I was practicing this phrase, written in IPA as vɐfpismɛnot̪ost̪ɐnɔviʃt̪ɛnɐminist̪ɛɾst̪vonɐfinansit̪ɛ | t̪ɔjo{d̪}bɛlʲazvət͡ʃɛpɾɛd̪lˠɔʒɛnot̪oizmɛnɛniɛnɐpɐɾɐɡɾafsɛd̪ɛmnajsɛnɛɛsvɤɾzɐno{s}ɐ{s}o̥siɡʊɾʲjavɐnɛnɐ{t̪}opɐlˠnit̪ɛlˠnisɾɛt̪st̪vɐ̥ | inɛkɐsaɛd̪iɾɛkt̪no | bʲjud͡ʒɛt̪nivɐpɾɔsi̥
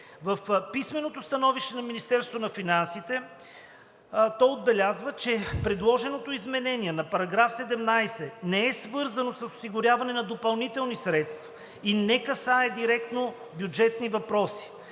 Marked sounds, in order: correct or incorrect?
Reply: correct, correct, correct, incorrect

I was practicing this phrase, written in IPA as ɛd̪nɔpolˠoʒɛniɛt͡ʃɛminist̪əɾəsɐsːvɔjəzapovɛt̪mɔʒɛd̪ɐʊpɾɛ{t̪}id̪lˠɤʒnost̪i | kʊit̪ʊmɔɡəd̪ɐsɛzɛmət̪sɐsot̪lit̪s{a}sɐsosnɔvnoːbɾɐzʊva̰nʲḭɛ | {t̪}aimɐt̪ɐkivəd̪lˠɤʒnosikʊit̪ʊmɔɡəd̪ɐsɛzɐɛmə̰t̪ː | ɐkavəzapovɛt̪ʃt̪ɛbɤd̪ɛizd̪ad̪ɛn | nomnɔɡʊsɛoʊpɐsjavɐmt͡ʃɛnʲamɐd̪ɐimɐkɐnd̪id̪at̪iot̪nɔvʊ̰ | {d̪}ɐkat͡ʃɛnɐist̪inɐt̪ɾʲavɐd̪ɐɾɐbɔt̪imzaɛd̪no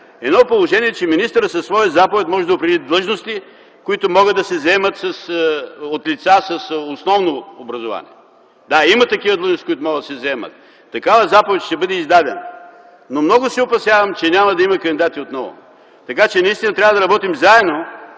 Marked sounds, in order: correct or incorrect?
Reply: incorrect, correct, incorrect, incorrect

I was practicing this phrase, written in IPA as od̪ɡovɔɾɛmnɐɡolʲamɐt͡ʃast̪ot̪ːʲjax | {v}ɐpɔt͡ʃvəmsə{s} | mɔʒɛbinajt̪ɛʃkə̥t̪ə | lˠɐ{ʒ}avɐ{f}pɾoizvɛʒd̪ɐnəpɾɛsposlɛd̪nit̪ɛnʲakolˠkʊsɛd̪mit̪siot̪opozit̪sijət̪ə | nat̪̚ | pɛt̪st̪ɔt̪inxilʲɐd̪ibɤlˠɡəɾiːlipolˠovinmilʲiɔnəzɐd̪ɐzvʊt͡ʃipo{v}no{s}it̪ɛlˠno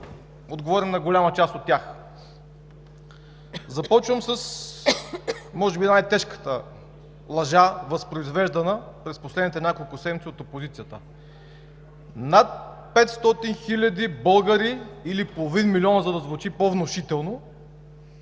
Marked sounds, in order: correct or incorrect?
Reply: incorrect, correct, correct, incorrect, correct, incorrect

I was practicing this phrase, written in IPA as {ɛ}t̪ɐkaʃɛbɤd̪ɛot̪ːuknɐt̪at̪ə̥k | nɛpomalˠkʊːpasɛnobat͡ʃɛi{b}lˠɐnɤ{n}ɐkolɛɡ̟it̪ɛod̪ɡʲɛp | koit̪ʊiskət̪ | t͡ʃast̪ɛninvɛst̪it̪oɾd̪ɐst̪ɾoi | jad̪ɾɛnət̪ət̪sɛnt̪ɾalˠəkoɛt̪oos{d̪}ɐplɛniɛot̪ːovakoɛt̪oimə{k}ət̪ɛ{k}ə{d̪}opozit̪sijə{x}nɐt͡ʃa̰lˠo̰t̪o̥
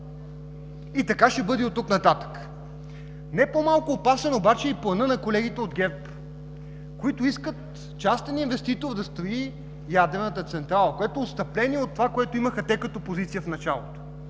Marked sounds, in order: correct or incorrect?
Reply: incorrect, incorrect, correct, incorrect, incorrect, correct, incorrect, incorrect

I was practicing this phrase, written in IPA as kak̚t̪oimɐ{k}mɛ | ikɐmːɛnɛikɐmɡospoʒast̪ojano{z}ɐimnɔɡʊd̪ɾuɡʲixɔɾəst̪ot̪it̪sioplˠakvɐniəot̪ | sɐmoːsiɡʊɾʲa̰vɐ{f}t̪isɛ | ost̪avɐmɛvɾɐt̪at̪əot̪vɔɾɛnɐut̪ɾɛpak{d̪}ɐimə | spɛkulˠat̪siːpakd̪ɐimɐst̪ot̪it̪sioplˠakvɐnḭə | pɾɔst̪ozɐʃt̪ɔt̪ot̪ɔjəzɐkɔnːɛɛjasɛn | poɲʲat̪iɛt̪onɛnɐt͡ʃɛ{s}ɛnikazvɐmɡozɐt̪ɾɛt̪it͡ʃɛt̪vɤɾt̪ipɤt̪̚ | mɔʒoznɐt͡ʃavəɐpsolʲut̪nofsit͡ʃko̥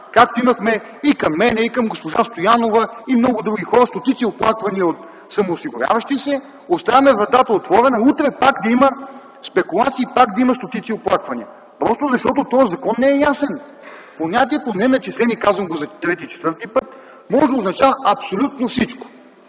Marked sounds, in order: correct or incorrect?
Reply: incorrect, incorrect, incorrect, correct, correct

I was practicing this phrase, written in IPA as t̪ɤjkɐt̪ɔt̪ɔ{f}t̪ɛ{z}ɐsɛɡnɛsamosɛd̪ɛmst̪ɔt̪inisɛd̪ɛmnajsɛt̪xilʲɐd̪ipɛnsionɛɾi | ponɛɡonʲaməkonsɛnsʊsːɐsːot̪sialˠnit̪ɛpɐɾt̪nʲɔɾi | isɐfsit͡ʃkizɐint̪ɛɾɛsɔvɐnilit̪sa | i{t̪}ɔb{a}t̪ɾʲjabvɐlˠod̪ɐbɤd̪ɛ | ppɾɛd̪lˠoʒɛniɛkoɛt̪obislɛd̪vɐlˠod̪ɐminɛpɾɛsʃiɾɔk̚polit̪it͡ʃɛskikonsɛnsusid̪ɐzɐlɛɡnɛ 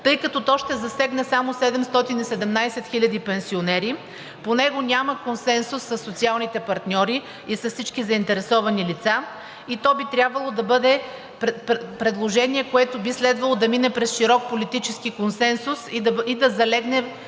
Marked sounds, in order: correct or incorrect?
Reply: incorrect, correct, correct, incorrect

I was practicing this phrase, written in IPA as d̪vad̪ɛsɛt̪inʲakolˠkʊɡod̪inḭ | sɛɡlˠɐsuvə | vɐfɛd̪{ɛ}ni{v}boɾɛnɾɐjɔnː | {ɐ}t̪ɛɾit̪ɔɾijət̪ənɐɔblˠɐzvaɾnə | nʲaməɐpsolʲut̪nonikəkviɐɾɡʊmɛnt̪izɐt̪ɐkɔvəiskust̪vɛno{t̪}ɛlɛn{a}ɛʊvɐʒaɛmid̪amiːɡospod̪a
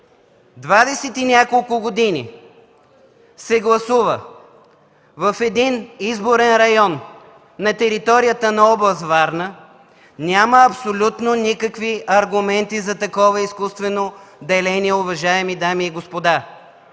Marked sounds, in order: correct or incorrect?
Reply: incorrect, incorrect, correct, incorrect, incorrect

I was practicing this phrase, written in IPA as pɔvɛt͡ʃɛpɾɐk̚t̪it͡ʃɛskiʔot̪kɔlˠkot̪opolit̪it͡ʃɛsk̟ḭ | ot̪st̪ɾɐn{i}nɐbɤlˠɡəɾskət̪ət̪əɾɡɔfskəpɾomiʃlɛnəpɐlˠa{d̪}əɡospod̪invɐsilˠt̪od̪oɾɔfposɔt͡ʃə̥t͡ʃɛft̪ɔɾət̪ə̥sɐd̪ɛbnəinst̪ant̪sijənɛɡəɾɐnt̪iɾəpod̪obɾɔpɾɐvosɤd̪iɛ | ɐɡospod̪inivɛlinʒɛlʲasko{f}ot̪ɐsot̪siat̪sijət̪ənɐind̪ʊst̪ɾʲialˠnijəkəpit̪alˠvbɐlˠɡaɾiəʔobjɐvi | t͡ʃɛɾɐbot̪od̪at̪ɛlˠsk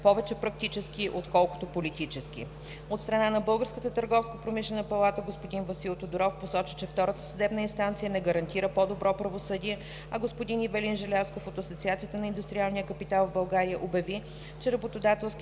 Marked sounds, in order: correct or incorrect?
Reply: incorrect, incorrect, correct

